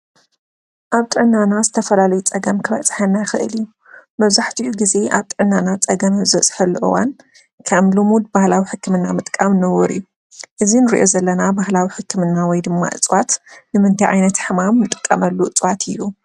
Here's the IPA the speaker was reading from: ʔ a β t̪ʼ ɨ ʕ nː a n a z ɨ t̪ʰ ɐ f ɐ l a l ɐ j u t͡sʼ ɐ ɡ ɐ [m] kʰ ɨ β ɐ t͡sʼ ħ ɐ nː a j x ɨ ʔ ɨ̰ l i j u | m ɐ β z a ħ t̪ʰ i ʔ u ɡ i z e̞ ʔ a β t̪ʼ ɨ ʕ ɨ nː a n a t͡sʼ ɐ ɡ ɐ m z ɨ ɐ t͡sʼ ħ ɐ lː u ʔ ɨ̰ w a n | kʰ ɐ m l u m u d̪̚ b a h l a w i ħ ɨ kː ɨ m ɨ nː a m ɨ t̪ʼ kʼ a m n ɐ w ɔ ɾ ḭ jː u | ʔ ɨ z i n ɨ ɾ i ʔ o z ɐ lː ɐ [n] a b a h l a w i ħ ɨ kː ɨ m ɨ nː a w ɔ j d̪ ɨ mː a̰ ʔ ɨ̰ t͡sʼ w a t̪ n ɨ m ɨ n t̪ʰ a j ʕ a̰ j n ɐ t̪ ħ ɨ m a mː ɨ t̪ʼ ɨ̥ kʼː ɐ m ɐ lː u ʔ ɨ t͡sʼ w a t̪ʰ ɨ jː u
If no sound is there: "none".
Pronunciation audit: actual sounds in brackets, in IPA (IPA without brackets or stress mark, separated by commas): m, n